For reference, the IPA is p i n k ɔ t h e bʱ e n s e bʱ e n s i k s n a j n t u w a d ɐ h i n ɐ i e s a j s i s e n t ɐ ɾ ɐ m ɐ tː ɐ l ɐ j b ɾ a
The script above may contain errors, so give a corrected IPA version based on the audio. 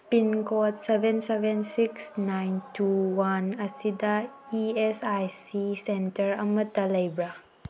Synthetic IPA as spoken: p i n k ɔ t s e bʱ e n s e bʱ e n s i k s n a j n t u w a n ɐ s i d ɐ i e s a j s i s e n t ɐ ɾ ɐ m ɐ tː ɐ l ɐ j b ɾ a